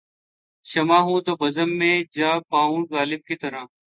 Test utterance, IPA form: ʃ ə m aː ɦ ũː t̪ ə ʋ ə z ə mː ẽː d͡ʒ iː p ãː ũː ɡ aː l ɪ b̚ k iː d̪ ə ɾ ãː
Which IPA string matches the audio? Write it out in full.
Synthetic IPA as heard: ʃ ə m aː ɦ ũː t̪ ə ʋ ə z ə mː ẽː d͡ʒ aː p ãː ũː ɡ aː l ɪ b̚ k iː t̪ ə ɾ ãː